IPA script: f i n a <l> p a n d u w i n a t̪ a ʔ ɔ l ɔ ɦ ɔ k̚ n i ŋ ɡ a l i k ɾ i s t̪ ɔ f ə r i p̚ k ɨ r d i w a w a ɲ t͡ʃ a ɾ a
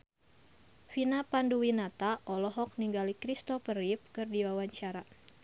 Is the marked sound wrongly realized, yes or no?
yes